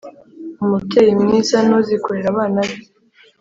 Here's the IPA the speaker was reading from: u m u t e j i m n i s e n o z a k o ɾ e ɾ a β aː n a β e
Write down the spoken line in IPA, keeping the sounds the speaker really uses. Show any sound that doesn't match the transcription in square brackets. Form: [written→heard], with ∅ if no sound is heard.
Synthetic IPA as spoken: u m u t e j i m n i s [e→a] n o z [a→i] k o ɾ e ɾ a β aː n a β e